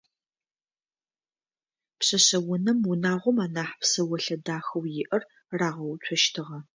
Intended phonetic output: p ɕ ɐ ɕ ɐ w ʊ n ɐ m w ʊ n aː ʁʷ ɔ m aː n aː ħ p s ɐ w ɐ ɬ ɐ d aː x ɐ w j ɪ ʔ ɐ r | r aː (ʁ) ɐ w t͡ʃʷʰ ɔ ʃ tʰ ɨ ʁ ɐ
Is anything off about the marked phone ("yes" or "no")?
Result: no